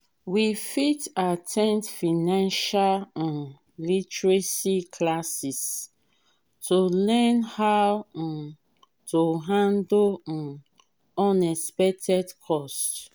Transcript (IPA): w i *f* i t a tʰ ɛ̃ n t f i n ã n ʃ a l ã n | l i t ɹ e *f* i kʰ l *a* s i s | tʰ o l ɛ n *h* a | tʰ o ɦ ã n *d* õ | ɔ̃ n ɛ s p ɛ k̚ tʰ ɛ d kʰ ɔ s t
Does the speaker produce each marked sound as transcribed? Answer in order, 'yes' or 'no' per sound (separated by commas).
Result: yes, no, yes, yes, yes